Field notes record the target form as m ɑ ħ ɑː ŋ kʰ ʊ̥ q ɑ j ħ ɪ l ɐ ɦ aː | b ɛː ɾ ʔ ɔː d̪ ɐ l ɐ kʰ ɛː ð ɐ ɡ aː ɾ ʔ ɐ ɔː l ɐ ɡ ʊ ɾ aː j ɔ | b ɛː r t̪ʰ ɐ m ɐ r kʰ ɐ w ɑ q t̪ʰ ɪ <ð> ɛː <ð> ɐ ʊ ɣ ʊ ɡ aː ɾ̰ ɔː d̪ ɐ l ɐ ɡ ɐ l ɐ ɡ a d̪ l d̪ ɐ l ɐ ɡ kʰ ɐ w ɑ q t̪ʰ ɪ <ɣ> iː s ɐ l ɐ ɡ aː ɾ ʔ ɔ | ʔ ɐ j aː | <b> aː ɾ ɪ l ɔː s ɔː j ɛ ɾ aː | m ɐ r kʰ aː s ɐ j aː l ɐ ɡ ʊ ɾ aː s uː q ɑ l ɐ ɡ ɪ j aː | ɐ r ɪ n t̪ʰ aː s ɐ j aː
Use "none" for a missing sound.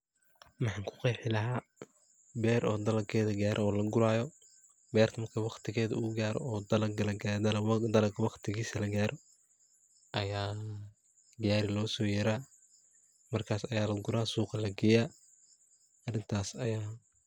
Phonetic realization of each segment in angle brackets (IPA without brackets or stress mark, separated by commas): ɣ, ð, ɣ, ɡ